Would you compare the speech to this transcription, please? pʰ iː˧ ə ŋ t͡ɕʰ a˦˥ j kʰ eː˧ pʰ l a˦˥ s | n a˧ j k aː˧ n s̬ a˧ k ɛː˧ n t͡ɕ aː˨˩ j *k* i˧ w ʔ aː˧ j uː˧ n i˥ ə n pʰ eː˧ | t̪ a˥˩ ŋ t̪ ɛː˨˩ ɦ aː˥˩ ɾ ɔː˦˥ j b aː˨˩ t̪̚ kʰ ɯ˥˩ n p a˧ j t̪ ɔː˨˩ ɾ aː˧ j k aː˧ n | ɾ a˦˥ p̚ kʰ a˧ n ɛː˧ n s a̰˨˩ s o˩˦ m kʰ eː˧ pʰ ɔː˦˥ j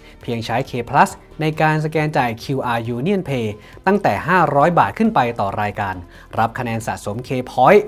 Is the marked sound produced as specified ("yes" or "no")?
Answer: no